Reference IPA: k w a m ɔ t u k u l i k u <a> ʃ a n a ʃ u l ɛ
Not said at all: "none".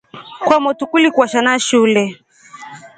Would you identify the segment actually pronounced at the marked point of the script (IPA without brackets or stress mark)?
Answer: a